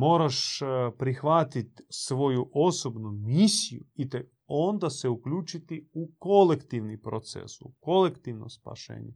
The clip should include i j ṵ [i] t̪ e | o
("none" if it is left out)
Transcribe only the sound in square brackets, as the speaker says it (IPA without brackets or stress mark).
i